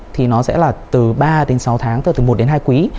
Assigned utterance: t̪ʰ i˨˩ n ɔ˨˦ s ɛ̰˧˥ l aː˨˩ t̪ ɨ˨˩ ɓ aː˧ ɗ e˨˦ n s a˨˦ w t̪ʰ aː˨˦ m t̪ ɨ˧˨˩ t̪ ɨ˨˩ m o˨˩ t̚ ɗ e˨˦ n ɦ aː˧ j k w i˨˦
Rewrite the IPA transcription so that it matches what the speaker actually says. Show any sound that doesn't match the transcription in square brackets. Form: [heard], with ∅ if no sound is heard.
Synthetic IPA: t̪ʰ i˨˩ n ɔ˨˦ s ɛ̰˧˥ l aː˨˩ t̪ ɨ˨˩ ɓ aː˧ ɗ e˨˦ n s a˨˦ w t̪ʰ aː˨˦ [ŋ] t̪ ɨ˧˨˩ t̪ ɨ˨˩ m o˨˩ t̚ ɗ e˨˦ n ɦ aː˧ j k w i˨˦